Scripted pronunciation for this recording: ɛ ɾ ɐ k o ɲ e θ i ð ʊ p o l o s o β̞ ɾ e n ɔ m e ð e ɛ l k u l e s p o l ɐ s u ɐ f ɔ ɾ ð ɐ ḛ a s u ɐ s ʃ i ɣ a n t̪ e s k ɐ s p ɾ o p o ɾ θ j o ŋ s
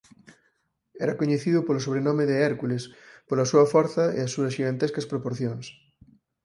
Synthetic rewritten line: ɛ ɾ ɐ k o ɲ e θ i ð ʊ p o l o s o β̞ ɾ e n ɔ m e ð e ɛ ɾ k u l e s p o l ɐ s u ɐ f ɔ ɾ θ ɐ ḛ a s u ɐ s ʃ i ɣ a n t̪ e s k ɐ s p ɾ o p o ɾ θ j o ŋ s

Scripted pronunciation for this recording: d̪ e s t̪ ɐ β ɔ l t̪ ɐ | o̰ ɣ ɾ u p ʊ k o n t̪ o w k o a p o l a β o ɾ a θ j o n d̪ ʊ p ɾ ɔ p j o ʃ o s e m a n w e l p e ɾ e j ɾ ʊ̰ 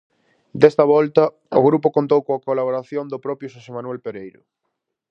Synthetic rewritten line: d̪ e s t̪ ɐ β ɔ l t̪ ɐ | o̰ ɣ ɾ u p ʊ k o n t̪ o w k o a k o l a β o ɾ a θ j o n d̪ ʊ p ɾ ɔ p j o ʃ o s e m a n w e l p e ɾ e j ɾ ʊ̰

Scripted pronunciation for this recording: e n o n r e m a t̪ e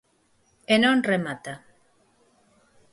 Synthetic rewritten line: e n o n r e m a t̪ a

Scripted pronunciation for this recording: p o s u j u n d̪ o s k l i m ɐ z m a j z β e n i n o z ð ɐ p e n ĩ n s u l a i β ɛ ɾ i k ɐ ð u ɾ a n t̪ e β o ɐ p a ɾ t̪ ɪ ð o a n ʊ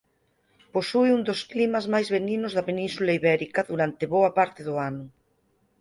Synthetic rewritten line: p o s u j u n d̪ o s k l i m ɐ z m a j z β e n i n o z ð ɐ p e n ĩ n s u l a i β ɛ ɾ i k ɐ ð u ɾ a n t̪ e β o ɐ p a ɾ t̪ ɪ ð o a n ʊ

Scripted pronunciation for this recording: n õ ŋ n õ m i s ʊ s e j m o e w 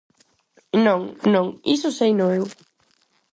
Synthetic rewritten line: n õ ŋ n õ ŋ i s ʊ s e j n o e w

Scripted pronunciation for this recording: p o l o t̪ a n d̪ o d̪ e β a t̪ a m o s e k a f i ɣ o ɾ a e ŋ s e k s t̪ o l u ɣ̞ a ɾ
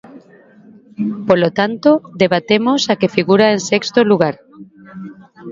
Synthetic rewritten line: p o l o t̪ a n t̪ o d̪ e β a t̪ e m o s a k e f i ɣ u ɾ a e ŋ s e k s t̪ o l u ɣ̞ a ɾ

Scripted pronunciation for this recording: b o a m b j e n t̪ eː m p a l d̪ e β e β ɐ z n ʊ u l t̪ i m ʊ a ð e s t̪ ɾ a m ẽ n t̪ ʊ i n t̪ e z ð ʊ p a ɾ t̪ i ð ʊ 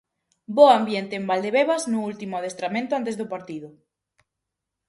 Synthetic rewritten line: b o a m b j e n t̪ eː m b a l d̪ e β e β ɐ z n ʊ u l t̪ i m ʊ a ð e s t̪ ɾ a m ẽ n t̪ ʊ a n t̪ e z ð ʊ p a ɾ t̪ i ð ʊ

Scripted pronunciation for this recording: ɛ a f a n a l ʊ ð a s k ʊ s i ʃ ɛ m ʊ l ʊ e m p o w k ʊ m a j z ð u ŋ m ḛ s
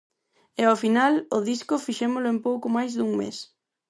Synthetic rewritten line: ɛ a f i n a l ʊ ð i s k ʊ f i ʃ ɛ m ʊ l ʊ e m p o w k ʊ m a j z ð u ŋ m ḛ s

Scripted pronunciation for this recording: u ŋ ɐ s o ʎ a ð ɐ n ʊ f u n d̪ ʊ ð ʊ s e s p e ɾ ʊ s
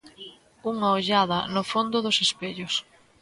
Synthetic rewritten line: u ŋ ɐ o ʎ a ð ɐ n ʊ f o n d̪ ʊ ð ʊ s e s p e ʎ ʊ s

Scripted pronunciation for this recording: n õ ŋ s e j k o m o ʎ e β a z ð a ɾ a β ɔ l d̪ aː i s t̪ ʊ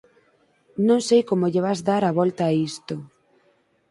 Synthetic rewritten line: n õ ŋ s e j k o m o ʎ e β a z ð a ɾ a β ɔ l t̪ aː i s t̪ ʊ

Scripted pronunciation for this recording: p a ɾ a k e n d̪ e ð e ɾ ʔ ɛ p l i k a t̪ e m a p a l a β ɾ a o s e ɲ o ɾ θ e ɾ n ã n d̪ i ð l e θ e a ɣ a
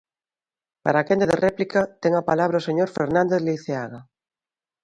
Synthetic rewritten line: p a ɾ a k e n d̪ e ð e r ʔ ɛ p l i k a t̪ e ŋ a p a l a β ɾ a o s e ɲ o ɾ f e ɾ n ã n d̪ e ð l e θ e a ɣ a

